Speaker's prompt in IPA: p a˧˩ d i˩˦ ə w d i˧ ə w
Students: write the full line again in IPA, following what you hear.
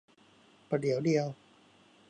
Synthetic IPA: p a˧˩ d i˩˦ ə w d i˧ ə w